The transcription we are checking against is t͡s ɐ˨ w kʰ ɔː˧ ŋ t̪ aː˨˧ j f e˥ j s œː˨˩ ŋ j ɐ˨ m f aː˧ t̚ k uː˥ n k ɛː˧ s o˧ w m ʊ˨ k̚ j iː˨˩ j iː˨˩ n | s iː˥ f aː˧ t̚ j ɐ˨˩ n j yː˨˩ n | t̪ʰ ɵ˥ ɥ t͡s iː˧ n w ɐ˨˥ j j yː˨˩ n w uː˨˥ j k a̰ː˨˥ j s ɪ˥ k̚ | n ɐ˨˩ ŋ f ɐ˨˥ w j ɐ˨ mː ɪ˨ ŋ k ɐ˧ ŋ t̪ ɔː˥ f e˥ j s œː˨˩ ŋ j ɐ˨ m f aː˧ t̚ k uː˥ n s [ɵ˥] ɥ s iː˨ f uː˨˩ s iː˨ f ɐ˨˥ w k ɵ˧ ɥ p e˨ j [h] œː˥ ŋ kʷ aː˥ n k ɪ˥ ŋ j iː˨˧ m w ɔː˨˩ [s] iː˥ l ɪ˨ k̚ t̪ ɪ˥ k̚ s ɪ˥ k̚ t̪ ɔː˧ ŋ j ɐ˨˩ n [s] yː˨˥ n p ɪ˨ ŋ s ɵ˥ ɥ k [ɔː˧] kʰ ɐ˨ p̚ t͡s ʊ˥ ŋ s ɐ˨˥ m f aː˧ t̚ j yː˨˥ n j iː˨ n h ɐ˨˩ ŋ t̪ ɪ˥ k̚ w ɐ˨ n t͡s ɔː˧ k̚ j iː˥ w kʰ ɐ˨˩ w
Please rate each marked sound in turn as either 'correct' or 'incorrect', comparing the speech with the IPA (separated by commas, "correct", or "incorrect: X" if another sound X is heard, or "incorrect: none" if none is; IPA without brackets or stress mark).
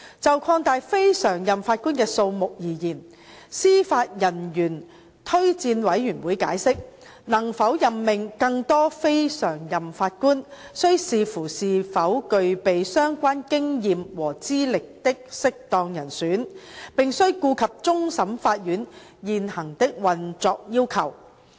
correct, incorrect: s, incorrect: t͡s, correct, incorrect: uː˧